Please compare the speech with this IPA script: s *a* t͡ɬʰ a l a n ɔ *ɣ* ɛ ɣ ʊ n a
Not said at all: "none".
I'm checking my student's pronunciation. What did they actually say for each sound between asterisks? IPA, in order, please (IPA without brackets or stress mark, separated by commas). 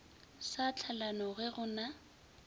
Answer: a, ɣ